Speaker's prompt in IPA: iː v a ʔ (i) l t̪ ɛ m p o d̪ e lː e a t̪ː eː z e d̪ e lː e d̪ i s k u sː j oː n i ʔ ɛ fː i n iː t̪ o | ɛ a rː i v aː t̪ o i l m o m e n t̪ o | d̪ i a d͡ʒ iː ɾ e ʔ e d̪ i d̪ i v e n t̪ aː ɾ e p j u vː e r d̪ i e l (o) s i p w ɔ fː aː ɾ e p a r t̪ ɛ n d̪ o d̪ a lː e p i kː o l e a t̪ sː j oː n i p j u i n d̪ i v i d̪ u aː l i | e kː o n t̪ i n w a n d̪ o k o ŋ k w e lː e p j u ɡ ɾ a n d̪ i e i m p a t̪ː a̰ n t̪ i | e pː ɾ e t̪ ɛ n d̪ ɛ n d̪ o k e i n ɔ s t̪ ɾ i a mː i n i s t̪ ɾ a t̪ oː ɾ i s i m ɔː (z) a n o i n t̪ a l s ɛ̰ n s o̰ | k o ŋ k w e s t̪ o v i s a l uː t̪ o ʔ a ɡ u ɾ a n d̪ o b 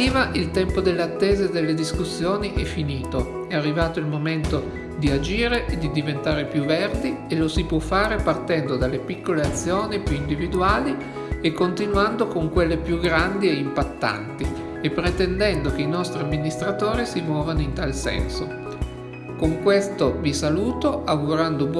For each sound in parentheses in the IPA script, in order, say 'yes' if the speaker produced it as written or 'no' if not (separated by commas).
yes, yes, no